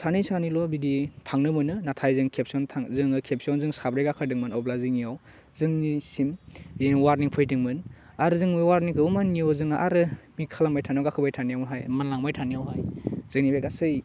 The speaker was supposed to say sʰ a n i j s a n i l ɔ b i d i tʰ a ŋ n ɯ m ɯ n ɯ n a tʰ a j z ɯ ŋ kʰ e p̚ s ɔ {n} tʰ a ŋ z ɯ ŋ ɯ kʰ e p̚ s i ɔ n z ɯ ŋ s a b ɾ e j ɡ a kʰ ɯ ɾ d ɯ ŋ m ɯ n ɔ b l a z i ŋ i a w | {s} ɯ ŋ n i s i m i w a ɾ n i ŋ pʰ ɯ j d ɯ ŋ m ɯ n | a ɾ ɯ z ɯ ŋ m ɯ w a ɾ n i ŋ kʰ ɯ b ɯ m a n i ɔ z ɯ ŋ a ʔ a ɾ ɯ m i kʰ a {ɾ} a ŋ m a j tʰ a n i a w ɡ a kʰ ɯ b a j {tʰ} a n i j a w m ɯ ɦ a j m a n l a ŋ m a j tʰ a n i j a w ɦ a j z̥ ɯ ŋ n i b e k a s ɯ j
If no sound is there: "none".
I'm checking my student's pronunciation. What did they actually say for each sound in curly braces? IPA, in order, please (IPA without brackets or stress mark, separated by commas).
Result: n, z, l, tʰ